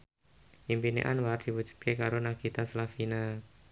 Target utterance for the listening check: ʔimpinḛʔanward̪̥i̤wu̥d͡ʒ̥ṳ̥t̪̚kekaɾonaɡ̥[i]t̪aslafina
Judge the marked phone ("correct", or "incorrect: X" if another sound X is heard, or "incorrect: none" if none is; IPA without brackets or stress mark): correct